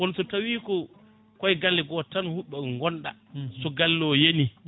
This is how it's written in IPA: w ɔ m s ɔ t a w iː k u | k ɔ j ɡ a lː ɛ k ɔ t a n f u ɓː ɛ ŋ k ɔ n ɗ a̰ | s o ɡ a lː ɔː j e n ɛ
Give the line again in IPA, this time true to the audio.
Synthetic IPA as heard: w ɔ n s ɔ t a w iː k ɔ | k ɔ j ɡ a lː ɛ ɡ ɔ t a n h u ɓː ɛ ŋ ɡ ɔ n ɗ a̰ | s ɔ ɡ a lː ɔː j e n i

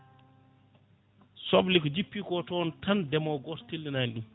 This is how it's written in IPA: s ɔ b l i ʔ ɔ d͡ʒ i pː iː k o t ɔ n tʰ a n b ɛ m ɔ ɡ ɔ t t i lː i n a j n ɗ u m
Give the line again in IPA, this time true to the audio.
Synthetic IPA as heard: s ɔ b l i k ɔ d͡ʒ i pː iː k ɔ t ɔ n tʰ a n d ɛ m ɔ ɡ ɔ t t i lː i n a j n ɗ u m

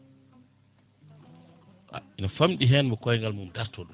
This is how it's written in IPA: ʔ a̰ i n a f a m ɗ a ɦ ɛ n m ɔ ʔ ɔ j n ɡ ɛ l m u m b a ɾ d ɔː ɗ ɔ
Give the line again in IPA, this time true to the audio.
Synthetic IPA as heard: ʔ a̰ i n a f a m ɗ i ɦ ɛ n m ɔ k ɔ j ŋ ɡ a l m u m d a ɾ t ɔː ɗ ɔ

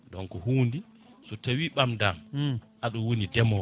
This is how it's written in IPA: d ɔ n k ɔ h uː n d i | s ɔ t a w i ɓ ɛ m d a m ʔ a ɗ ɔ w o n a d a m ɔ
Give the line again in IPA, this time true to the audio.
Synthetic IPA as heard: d ɔ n k ɔ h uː n d i | s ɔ t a w i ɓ a m d a m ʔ a ɗ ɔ w o n i d ɛ m ɔ

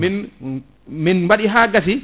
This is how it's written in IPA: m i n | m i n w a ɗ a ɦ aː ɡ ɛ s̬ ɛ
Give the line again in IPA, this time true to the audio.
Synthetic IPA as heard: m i n | m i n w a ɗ i ɦ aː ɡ a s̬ i

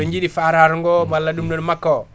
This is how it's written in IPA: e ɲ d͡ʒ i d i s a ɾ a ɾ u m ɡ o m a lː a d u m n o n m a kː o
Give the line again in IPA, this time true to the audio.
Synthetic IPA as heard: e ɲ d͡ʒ i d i f a ɾ a ɾ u ŋ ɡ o m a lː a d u m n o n m a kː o

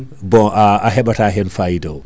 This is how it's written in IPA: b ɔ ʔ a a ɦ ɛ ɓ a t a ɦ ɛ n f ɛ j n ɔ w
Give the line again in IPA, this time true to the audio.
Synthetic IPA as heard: b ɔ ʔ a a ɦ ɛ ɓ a t a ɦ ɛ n f a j d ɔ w

